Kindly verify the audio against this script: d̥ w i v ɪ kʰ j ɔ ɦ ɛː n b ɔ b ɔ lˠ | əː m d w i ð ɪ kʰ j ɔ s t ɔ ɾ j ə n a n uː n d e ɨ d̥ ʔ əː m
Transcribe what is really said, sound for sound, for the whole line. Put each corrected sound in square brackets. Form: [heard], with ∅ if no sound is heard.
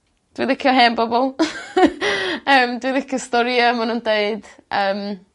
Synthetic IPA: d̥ w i [ð] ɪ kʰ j ɔ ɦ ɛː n b ɔ b ɔ lˠ | əː m d w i ð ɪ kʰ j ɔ s t ɔ ɾ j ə [m] a n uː n d e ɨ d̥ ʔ əː m